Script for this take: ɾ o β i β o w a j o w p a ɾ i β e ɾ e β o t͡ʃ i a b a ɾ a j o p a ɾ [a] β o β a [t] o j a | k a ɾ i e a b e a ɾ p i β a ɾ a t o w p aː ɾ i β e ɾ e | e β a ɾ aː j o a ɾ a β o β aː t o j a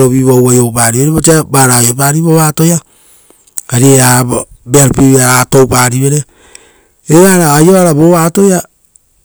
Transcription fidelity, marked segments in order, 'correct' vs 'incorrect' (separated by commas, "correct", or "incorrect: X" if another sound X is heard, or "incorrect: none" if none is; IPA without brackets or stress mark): incorrect: i, correct